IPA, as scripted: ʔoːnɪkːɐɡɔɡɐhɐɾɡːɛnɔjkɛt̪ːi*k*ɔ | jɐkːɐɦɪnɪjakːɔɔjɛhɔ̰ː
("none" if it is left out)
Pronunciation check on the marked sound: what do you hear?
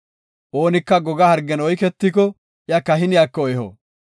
k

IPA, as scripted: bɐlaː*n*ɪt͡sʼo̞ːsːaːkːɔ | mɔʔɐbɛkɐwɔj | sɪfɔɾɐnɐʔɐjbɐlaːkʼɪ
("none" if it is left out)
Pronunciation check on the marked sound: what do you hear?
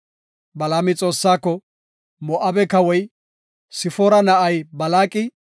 m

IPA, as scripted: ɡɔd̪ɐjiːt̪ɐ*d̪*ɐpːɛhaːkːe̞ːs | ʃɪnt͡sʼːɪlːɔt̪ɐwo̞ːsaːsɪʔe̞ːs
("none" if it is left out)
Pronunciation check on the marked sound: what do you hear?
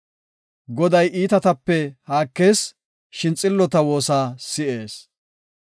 t̪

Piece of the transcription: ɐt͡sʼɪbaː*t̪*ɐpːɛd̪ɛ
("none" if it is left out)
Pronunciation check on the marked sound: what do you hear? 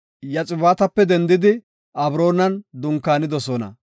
t̪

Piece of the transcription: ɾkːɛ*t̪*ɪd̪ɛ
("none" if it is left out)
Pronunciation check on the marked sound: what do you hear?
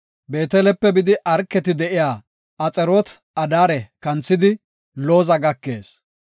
t̪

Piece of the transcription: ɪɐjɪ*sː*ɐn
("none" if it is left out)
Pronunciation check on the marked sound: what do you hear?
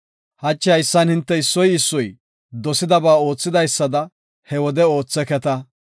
sː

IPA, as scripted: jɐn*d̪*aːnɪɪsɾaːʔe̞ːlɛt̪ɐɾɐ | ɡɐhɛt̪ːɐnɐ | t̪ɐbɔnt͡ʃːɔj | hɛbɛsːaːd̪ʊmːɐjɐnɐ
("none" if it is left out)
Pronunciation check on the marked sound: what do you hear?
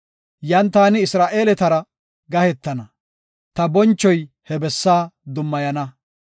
t̪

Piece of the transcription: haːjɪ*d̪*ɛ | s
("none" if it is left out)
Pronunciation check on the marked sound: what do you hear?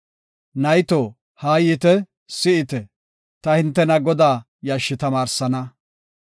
t̪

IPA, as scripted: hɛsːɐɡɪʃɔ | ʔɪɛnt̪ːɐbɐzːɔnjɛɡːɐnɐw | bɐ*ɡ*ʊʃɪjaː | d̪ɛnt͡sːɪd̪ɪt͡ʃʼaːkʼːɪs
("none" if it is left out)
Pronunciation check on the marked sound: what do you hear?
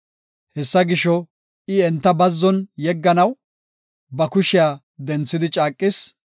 k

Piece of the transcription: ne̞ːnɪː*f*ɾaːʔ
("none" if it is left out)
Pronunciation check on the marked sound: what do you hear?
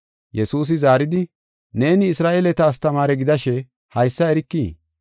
s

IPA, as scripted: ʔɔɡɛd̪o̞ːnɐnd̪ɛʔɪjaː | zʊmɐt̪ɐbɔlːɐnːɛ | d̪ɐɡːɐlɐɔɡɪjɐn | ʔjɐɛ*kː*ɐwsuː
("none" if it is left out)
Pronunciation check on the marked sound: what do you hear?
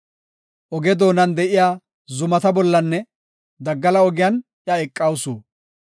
kʼː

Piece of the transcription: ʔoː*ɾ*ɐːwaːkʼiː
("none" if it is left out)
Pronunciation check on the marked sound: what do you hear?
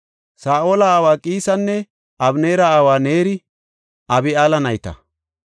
l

